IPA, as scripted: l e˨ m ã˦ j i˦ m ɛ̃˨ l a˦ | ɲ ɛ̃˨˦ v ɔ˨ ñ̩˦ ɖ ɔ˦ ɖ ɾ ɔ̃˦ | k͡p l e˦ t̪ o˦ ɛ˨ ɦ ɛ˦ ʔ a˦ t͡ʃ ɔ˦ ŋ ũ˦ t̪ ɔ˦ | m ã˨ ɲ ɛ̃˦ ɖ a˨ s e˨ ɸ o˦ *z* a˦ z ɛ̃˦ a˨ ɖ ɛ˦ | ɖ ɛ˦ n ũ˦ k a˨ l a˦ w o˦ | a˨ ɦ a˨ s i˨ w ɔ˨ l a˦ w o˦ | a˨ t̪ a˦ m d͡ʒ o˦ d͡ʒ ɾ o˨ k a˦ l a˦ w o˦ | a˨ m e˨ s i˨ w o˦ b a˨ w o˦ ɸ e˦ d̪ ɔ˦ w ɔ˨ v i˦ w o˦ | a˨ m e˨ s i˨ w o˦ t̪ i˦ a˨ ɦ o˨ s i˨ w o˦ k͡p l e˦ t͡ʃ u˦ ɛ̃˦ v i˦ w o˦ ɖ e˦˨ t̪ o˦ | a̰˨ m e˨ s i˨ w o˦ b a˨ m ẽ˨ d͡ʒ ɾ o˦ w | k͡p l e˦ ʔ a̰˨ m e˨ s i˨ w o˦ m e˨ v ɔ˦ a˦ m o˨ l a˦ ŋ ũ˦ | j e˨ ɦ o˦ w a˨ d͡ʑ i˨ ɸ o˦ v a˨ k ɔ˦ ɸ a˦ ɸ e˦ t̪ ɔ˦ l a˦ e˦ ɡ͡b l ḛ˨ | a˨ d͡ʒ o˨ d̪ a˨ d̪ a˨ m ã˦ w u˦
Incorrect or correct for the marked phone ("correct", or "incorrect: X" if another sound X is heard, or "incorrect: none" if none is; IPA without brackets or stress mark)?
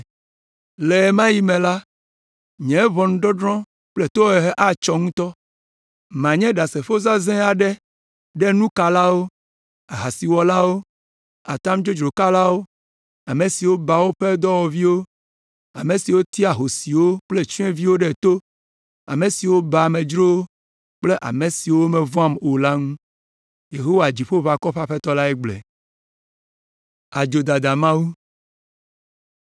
correct